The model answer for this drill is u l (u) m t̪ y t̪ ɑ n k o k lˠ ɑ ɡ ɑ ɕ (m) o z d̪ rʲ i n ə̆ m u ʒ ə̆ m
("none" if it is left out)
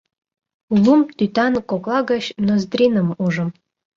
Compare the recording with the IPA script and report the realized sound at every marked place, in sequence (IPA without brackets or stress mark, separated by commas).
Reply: u, n